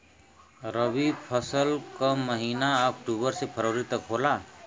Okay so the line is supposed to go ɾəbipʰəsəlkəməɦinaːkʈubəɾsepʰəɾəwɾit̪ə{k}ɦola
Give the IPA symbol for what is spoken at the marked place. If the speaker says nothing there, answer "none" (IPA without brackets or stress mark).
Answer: k